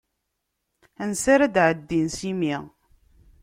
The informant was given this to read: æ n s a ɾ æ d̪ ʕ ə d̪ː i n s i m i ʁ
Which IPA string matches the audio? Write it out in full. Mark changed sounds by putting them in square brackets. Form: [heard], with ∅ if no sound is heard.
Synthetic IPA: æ n s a ɾ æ d̪ ʕ ə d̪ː i n s i m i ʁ